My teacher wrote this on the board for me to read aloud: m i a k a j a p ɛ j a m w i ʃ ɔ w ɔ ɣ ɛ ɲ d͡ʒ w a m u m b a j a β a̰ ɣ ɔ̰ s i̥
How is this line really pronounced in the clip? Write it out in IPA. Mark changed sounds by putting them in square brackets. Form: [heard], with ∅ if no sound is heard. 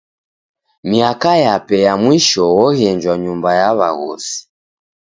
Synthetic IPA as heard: m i a k a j a p ɛ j a m w i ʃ ɔ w ɔ ɣ ɛ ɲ d͡ʒ w a [ɲ] u m b a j a β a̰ ɣ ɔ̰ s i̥